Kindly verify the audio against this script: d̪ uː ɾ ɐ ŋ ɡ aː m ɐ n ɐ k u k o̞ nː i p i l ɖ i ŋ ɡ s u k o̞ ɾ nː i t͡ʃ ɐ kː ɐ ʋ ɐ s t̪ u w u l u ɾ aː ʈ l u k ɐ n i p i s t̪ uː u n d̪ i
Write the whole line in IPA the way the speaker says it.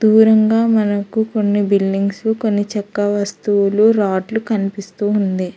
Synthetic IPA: d̪ uː ɾ ɐ ŋ ɡ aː m ɐ n ɐ k u k o̞ nː i b i l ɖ i ŋ ɡ s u k o̞ nː i t͡ʃ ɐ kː ɐ ʋ ɐ s t̪ u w u l u ɾ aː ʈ l u k ɐ n i p i s t̪ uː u n d̪ i